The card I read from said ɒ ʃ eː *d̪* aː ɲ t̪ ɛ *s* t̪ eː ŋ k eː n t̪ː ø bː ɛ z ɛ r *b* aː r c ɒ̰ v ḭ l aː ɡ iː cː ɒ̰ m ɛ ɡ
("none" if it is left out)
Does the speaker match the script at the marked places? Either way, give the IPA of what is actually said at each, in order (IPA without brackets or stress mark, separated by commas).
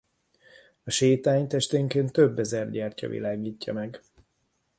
t̪, ʃ, ɟ